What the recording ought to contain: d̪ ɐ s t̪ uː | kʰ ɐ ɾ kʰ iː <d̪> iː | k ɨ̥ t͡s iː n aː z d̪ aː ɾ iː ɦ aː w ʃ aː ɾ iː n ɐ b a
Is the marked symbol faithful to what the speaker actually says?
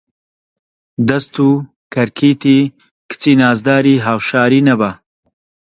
no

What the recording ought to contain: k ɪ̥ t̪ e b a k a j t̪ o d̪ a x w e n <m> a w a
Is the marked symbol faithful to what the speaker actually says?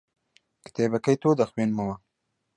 yes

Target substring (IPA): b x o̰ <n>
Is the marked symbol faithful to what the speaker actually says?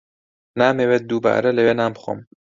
no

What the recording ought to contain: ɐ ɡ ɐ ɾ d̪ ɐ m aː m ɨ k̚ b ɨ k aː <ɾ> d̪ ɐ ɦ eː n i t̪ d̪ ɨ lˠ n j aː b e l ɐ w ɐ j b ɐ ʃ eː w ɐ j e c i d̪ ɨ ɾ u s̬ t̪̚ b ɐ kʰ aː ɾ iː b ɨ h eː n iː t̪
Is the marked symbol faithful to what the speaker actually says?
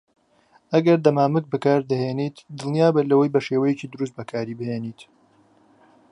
yes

